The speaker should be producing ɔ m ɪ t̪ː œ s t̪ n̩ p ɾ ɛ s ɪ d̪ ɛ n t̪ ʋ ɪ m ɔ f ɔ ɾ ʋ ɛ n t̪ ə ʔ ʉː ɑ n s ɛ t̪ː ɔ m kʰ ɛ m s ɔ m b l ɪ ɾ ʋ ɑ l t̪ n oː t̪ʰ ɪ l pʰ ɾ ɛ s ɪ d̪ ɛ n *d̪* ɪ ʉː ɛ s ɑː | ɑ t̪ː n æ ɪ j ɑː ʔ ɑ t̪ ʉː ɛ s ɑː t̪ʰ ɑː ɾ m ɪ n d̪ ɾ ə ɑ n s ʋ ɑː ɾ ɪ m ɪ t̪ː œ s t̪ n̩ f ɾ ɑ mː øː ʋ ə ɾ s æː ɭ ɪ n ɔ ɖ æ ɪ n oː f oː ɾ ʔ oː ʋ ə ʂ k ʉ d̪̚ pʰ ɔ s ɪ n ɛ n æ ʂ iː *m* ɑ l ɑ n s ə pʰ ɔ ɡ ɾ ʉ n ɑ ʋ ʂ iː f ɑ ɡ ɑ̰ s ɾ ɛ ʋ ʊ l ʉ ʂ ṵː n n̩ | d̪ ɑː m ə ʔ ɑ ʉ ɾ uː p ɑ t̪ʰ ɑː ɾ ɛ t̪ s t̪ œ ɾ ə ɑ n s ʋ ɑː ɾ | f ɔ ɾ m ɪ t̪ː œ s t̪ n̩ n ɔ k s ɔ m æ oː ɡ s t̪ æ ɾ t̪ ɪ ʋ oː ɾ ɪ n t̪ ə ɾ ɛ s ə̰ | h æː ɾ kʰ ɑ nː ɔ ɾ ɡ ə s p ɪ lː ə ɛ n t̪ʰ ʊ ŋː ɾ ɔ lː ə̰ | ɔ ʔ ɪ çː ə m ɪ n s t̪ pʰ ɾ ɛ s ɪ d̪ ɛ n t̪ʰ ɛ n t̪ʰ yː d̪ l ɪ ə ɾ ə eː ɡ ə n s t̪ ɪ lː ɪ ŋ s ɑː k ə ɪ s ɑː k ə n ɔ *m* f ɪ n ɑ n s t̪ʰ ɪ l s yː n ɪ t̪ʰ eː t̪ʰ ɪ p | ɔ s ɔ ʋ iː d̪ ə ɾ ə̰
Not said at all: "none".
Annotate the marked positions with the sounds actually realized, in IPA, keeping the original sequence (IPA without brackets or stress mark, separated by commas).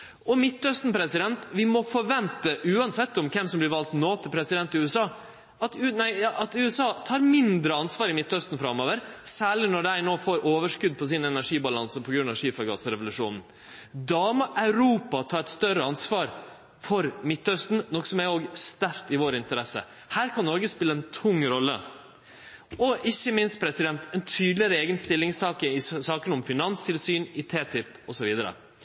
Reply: t̪, b, m